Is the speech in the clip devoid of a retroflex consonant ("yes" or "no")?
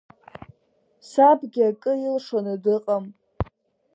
no